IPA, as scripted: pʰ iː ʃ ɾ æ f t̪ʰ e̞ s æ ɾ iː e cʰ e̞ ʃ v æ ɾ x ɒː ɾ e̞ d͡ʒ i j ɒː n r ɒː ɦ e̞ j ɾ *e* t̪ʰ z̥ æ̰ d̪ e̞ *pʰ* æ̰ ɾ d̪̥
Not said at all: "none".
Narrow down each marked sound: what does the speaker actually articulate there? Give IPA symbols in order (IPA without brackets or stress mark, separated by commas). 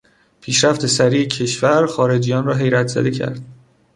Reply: æ, cʰ